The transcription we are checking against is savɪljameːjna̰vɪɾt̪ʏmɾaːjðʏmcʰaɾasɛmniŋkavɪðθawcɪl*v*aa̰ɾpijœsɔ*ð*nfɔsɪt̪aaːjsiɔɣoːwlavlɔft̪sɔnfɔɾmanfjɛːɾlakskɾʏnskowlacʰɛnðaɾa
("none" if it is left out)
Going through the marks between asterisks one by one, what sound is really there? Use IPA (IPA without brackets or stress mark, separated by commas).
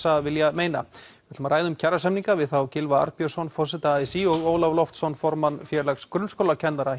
v, none